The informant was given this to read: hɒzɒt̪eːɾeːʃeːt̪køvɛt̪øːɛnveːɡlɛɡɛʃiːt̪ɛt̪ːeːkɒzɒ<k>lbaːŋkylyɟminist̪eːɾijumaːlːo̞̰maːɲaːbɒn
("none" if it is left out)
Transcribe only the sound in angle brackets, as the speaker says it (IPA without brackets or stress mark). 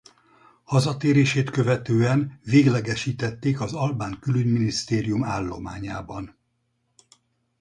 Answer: none